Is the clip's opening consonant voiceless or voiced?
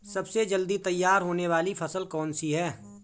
voiceless